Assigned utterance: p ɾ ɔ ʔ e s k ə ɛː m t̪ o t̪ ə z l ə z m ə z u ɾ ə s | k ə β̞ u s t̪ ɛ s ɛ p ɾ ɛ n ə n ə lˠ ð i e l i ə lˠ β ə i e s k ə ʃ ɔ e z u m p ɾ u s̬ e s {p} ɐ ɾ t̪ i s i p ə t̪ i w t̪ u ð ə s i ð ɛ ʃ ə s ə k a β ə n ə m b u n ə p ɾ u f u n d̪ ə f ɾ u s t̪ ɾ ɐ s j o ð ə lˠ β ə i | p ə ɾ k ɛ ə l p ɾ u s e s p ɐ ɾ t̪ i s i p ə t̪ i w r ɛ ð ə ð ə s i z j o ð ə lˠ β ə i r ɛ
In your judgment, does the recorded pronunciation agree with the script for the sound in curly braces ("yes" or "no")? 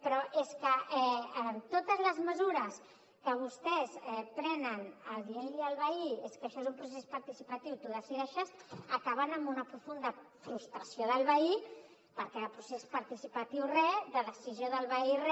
yes